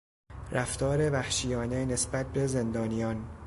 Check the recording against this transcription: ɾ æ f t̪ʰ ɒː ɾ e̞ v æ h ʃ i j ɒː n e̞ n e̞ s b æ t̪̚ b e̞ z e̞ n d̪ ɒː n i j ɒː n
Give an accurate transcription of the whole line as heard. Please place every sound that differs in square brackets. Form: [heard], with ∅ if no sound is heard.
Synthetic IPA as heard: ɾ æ f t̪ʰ ɒː ɾ e̞ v æ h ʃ i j ɒː n e̞ n e̞ s b æ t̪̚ b e̞ z e̞ n d̪ ɒː n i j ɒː n